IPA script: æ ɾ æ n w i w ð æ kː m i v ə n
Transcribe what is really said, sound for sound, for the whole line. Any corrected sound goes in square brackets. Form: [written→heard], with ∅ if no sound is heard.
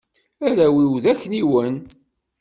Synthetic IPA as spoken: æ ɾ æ [n→∅] w i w ð æ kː [m→n] i [v→w] ə n